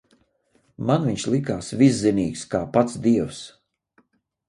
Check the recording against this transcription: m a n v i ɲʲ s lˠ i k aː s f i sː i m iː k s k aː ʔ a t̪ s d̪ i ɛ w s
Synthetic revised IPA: m a n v i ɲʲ ʃ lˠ i k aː s v i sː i n iː k s k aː p a t̪ s d̪ i ɛ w s